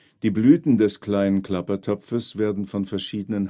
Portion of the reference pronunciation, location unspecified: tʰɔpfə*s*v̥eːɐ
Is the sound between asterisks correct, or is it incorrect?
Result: correct